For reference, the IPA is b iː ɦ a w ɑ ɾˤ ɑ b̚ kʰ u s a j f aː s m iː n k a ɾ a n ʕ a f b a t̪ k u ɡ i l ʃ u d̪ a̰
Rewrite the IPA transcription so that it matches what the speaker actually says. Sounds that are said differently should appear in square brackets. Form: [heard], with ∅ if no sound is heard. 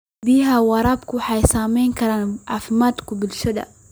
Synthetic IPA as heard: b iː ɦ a w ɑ ɾˤ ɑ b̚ [k] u [ħ] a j [s] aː [∅] m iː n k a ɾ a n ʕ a f [m] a t̪ k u [b] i l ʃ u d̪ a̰